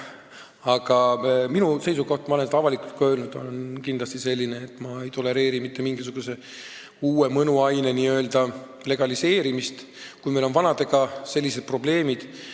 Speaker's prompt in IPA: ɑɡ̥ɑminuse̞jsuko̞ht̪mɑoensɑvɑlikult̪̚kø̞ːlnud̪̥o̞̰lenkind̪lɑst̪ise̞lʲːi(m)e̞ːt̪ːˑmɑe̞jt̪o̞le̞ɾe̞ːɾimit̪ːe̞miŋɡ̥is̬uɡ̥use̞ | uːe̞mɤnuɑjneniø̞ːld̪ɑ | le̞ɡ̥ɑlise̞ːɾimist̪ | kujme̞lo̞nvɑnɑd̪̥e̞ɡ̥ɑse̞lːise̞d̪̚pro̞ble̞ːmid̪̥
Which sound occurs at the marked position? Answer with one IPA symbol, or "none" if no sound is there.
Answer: n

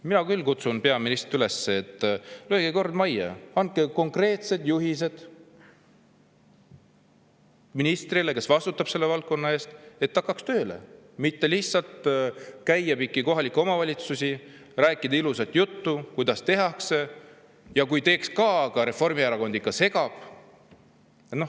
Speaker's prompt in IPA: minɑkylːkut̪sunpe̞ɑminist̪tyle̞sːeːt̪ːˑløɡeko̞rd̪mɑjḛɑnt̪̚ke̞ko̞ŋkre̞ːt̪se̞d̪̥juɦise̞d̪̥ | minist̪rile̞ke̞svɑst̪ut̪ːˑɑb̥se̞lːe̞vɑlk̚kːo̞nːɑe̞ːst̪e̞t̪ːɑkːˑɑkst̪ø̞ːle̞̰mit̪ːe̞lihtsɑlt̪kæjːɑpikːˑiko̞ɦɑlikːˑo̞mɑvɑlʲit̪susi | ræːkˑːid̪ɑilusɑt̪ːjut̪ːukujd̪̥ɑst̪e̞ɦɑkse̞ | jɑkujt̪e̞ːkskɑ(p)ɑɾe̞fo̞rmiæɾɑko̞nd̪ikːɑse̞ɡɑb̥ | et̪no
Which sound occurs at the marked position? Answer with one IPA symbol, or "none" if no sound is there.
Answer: k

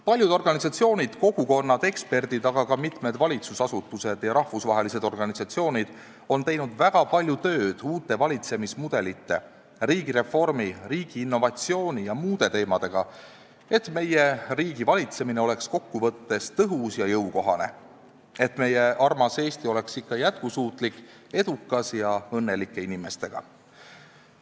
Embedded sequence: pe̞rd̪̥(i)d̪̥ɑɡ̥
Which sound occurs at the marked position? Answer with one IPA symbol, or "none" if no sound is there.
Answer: i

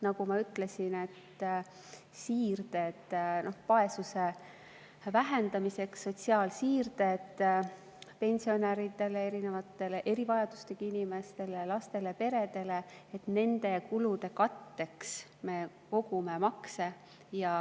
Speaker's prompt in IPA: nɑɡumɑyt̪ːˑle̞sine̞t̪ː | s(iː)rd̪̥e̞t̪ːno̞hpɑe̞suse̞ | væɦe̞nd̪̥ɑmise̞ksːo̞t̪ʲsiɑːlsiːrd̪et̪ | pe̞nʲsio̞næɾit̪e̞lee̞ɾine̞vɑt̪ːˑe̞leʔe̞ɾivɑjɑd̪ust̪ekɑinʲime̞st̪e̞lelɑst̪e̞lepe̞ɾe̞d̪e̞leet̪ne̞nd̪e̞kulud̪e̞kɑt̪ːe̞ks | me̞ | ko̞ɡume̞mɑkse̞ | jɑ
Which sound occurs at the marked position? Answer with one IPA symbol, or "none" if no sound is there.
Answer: iː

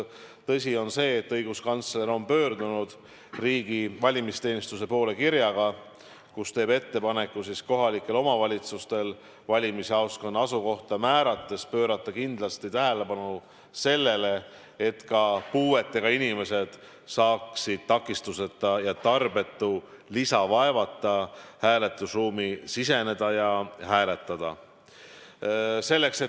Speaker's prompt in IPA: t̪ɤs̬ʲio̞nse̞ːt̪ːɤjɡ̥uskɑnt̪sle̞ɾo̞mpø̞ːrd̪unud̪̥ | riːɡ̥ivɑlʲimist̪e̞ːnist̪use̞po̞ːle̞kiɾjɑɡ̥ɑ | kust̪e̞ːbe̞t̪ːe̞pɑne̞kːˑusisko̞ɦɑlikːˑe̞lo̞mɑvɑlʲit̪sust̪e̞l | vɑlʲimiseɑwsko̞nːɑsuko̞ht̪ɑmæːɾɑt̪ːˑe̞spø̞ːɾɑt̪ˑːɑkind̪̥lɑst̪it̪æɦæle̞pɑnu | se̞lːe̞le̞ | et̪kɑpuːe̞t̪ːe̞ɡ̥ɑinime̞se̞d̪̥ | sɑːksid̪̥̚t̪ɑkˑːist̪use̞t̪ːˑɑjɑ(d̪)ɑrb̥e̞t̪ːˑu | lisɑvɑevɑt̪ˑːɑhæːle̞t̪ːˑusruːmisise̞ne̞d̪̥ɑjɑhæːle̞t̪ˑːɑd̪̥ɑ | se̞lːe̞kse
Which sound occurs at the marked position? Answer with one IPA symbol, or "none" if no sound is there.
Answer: t̪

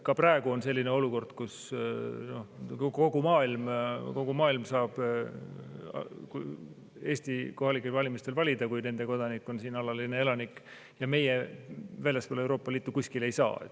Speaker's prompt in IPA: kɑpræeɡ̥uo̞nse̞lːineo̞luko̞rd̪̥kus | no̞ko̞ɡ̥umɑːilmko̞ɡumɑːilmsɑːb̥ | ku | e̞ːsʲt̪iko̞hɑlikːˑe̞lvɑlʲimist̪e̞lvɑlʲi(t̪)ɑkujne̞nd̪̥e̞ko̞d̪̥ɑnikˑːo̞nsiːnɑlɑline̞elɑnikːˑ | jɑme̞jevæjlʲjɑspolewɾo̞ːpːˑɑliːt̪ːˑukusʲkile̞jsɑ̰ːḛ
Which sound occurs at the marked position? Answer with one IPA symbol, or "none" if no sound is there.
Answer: d̪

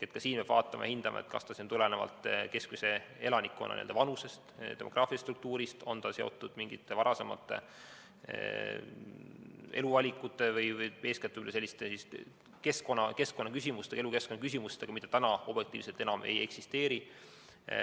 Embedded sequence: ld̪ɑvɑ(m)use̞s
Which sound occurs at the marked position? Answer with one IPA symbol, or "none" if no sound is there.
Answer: n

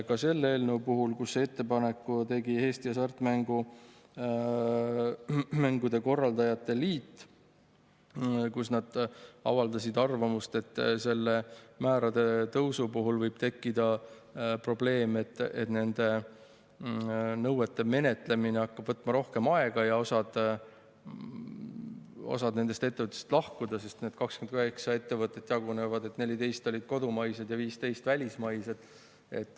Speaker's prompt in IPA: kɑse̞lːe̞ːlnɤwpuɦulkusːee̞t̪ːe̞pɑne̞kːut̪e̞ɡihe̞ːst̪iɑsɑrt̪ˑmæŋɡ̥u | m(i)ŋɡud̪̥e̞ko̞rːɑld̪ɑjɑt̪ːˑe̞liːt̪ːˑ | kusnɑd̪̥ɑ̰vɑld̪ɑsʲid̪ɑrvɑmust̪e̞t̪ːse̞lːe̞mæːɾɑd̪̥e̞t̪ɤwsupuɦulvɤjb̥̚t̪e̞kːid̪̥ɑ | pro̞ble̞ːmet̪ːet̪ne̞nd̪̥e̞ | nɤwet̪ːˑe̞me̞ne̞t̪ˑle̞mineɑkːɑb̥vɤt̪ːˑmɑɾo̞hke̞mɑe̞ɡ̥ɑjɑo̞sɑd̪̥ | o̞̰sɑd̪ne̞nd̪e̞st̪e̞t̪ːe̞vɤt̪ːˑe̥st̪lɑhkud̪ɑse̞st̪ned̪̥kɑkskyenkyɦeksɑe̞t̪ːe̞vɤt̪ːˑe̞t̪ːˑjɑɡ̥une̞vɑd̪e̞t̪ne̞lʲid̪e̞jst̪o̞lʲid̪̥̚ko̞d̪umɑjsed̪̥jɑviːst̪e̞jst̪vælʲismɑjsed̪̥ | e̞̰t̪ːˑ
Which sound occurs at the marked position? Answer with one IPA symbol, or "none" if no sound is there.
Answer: æ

